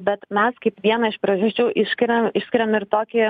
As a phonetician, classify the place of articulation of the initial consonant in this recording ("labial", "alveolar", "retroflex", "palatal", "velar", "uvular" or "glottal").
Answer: labial